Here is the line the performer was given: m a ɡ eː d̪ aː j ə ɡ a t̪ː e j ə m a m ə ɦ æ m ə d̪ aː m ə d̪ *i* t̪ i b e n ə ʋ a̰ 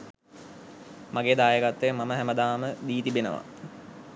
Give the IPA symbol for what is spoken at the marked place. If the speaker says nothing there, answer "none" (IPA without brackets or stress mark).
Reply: iː